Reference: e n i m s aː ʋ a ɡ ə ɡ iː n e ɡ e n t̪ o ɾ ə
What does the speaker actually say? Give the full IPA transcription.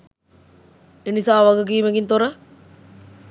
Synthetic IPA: e n i s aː ʋ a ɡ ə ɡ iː m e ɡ i n t̪ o ɾ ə